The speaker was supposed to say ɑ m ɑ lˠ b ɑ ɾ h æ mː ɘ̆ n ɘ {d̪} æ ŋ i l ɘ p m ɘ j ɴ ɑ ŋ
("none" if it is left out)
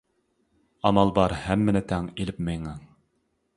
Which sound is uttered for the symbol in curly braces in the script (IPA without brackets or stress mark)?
t̪